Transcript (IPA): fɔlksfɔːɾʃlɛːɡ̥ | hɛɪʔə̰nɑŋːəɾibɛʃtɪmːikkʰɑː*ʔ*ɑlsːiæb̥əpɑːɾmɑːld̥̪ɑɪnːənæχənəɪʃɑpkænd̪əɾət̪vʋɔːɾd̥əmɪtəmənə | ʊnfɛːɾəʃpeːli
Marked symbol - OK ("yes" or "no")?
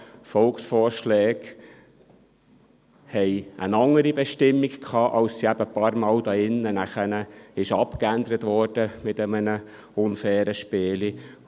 yes